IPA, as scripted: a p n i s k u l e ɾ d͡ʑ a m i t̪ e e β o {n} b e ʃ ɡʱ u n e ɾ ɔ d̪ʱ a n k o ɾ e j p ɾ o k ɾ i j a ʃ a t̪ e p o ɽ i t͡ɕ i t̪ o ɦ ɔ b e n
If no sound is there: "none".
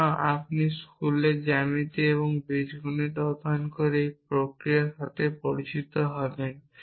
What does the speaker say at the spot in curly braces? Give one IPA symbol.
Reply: ŋ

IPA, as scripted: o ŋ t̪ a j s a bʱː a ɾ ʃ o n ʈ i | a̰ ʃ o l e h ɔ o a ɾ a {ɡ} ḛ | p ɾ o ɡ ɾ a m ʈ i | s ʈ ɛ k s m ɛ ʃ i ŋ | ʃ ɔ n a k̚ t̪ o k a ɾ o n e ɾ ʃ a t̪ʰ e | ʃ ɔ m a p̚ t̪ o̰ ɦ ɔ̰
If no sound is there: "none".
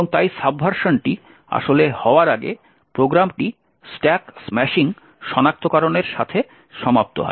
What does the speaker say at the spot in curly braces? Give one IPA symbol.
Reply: ɡ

